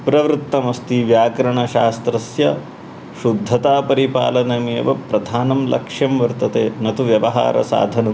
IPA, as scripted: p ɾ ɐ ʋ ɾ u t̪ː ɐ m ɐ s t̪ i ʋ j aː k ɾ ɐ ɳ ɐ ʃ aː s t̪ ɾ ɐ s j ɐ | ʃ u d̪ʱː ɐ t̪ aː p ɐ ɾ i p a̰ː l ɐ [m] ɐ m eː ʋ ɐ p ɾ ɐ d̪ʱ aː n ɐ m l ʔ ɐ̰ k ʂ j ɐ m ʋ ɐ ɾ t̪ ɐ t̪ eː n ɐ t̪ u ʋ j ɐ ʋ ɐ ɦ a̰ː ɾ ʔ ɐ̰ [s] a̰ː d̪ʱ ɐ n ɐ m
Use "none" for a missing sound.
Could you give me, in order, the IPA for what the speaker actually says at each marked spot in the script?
n, s

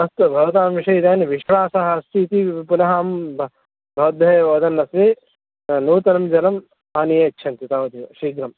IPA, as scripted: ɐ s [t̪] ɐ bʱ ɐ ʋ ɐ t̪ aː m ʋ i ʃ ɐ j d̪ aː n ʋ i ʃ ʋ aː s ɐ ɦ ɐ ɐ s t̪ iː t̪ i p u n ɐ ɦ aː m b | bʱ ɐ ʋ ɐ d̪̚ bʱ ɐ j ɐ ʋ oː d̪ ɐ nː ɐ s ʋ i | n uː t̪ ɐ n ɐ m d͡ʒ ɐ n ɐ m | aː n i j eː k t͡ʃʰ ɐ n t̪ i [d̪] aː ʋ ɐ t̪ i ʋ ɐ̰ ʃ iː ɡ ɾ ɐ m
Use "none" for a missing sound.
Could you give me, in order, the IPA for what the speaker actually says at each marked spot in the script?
t̪, t̪

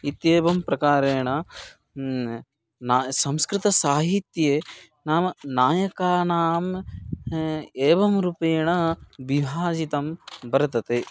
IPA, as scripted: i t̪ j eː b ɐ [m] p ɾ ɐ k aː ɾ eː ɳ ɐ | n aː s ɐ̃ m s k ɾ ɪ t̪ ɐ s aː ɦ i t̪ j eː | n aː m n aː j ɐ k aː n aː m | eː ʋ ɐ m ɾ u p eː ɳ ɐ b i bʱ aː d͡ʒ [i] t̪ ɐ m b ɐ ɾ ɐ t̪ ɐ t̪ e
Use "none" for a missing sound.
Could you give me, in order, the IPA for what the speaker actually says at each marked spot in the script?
m, i

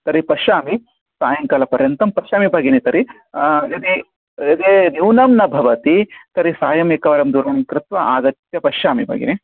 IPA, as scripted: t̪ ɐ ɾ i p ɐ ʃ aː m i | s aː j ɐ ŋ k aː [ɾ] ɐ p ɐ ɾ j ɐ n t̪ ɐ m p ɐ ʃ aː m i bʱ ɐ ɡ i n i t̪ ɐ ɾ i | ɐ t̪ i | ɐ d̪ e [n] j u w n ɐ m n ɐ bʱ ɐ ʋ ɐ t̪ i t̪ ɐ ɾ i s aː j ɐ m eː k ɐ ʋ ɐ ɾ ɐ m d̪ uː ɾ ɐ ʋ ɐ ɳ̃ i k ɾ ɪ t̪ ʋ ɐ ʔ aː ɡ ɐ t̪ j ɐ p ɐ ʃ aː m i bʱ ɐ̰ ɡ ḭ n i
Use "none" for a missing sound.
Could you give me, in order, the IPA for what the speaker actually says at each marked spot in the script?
l, n

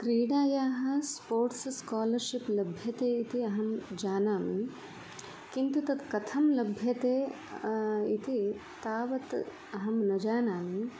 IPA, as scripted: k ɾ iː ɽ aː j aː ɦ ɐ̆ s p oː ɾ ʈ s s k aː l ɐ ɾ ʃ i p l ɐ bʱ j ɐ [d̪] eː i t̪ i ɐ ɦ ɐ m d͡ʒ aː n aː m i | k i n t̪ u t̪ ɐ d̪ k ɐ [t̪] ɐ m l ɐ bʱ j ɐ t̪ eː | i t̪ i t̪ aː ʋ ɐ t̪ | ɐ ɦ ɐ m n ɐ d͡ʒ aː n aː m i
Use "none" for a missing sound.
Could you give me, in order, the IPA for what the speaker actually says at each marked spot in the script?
t̪, t̪ʰ

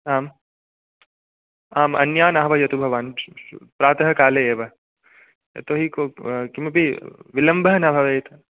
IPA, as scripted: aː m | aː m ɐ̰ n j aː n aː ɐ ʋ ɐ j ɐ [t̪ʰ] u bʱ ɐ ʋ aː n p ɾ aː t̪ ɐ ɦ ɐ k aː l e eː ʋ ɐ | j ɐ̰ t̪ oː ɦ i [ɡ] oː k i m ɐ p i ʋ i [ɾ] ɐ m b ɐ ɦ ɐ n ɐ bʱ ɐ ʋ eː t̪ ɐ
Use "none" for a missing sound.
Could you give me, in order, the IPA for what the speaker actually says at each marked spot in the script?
t̪, k, l

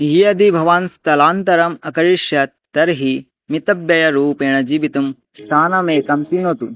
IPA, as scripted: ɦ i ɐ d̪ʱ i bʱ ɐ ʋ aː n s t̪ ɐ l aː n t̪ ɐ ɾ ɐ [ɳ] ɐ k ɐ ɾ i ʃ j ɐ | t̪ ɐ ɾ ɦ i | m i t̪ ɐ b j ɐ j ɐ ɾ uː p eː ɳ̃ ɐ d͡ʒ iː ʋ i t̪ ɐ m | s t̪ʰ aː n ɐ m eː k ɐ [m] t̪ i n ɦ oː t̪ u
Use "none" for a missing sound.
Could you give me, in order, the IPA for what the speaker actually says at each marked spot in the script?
m, m

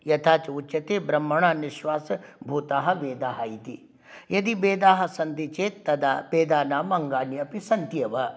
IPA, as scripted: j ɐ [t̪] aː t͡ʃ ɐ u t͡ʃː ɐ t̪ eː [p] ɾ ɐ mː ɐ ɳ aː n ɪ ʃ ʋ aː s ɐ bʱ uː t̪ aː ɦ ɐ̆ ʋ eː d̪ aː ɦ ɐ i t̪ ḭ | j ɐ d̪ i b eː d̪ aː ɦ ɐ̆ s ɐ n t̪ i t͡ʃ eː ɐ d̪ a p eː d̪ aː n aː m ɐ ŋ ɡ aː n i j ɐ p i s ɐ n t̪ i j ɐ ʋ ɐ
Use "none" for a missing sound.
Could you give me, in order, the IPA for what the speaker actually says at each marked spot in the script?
t̪ʰ, b

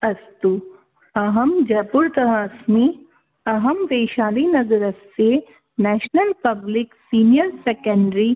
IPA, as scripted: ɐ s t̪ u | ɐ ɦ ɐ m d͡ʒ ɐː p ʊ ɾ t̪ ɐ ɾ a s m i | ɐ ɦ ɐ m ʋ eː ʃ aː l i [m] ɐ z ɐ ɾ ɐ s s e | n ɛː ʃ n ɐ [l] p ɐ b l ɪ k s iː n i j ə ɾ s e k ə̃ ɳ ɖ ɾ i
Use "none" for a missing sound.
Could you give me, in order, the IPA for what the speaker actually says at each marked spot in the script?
n, l

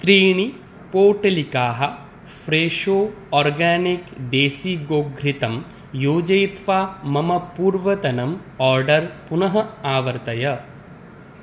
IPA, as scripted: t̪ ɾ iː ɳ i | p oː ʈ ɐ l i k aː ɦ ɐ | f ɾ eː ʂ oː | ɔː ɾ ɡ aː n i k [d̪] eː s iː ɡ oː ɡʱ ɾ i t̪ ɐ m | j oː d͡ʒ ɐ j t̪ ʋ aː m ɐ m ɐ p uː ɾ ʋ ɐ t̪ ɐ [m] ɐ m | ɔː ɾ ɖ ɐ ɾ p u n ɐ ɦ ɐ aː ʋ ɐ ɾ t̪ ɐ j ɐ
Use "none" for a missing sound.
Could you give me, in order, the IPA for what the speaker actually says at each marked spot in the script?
d̪, n

